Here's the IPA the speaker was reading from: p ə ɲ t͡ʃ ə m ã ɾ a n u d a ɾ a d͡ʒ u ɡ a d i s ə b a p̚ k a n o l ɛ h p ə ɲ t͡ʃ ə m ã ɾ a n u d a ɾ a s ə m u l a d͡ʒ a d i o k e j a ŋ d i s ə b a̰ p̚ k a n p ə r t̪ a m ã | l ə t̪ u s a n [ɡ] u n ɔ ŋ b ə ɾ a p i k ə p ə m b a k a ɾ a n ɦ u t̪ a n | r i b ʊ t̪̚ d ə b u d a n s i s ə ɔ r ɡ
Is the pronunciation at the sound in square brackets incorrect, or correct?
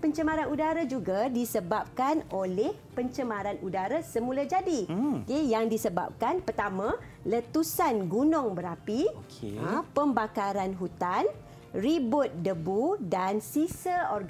correct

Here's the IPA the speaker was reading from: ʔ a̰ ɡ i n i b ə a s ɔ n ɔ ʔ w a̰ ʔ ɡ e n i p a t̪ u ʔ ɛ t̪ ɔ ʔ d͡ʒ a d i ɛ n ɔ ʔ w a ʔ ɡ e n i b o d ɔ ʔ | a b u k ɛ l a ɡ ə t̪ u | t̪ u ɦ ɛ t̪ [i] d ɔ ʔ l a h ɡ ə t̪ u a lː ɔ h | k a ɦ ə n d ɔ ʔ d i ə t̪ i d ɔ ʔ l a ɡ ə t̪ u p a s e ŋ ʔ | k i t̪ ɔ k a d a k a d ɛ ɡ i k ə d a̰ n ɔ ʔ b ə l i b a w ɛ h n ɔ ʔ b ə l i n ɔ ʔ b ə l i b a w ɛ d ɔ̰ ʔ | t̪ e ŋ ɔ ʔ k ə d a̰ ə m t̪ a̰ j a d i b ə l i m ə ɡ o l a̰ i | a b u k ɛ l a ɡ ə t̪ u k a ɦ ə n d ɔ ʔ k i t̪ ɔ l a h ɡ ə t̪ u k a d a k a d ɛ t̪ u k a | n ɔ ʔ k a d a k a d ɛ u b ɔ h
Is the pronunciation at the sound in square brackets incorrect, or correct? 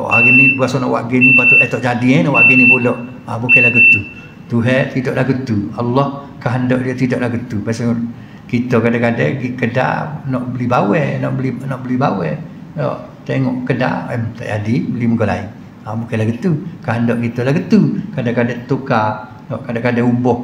correct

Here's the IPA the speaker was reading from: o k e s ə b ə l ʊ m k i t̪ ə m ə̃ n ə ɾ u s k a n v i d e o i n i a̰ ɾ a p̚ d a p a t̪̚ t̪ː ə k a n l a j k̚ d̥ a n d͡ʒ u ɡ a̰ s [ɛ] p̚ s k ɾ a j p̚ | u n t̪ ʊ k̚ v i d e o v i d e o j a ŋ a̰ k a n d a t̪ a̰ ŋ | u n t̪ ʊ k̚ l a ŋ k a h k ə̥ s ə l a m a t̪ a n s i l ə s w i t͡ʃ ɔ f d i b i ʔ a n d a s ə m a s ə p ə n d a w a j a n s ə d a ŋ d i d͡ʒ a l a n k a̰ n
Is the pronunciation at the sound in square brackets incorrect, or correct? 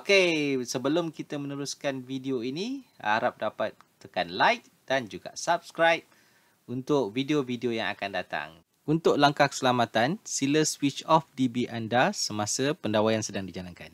incorrect: a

